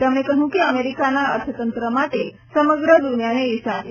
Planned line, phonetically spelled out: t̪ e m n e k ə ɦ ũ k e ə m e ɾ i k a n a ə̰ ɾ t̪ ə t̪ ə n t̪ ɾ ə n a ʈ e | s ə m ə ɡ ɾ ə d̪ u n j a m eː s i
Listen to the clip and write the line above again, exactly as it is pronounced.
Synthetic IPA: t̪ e m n e k ə ɦ ũ k e ə m e ɾ i k a n a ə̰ ɾ t̪ʰ ə t̪ ə n t̪ ɾ ə m a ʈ e | s ə m ə ɡ ɾ ə d̪ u n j a n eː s a